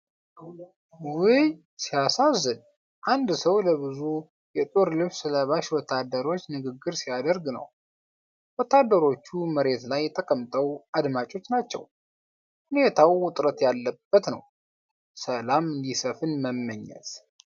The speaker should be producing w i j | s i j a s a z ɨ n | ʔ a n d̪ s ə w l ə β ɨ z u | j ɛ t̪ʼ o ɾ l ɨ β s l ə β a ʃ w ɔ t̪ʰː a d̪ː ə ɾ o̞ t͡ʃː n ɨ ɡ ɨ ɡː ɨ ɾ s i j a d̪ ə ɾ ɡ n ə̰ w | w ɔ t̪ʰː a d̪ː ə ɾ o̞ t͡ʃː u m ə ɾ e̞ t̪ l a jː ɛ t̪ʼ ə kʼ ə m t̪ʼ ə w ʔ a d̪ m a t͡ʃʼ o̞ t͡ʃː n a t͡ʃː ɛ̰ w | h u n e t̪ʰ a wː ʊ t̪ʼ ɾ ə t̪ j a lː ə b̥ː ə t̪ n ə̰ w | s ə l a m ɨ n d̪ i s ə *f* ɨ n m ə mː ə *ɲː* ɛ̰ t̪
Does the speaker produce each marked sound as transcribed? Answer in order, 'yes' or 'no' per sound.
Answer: yes, yes

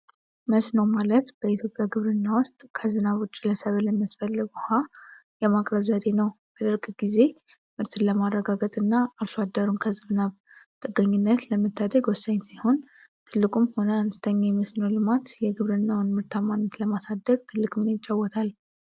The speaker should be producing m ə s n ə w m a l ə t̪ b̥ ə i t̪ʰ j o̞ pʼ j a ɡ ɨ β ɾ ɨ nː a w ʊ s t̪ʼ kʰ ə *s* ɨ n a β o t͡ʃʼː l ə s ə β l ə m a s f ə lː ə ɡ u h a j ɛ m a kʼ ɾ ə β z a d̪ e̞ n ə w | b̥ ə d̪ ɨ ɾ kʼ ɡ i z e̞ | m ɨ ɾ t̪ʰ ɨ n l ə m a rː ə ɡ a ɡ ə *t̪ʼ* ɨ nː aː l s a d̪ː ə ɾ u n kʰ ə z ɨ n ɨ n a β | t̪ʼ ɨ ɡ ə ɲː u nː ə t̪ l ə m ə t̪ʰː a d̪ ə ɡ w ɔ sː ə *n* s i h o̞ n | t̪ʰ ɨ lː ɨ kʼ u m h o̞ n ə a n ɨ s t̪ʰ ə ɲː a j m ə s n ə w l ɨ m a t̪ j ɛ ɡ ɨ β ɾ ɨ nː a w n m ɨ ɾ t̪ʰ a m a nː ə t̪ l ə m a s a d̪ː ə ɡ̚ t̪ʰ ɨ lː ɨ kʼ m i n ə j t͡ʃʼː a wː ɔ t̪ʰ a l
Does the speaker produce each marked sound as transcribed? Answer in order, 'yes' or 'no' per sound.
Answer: no, yes, no

